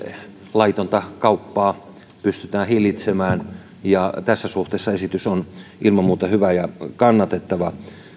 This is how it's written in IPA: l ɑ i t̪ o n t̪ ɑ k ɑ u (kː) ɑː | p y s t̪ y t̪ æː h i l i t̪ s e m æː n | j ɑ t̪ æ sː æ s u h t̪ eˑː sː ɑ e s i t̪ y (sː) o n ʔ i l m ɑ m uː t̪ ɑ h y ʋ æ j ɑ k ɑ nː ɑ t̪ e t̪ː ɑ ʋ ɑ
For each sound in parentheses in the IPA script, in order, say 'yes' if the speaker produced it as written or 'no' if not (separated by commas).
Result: no, no